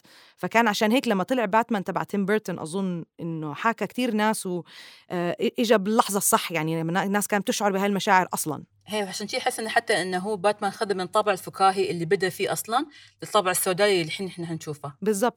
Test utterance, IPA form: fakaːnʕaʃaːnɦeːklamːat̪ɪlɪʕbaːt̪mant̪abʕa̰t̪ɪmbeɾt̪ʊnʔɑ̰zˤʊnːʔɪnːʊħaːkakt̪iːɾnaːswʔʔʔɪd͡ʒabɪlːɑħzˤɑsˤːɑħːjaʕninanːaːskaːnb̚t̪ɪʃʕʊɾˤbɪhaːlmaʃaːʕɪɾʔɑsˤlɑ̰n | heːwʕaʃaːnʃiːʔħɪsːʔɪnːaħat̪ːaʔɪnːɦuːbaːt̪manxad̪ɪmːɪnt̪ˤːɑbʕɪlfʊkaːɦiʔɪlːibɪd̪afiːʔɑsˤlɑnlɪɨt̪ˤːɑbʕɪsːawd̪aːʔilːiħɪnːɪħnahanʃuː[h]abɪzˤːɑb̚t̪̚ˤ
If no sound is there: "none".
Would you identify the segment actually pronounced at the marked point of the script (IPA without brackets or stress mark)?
f